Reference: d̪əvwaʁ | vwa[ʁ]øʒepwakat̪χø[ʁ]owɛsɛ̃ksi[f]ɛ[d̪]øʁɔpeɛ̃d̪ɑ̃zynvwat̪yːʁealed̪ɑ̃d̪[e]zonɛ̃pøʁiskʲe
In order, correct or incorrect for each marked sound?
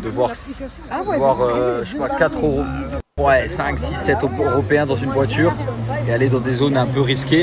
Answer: correct, correct, incorrect, incorrect, correct

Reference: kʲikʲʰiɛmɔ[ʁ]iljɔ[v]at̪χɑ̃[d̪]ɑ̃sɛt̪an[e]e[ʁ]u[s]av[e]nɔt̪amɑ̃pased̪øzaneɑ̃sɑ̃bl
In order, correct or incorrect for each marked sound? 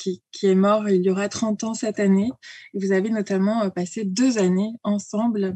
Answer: correct, incorrect, incorrect, correct, incorrect, incorrect, correct

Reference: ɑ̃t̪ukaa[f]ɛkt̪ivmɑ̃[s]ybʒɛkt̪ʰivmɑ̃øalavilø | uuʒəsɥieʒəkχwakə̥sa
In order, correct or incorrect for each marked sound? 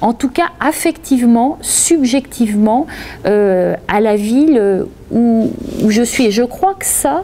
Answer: correct, correct

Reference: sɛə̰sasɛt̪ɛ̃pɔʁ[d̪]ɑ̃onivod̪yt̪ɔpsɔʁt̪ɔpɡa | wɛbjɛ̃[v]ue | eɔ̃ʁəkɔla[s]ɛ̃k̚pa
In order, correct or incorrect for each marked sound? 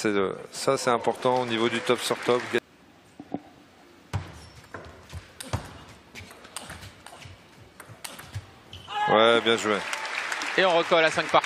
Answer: incorrect, incorrect, correct

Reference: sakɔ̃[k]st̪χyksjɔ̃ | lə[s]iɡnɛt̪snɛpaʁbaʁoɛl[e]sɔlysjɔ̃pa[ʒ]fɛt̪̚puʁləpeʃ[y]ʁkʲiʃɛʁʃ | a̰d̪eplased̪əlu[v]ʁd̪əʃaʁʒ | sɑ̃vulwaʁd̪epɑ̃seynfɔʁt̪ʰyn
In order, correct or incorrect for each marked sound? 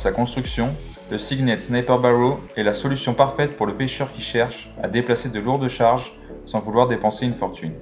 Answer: incorrect, correct, incorrect, incorrect, incorrect, incorrect

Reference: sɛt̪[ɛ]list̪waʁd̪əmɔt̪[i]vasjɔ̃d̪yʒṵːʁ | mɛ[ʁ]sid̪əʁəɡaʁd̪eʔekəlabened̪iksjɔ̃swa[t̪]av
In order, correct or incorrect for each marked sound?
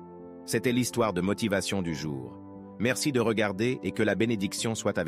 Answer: correct, correct, correct, correct

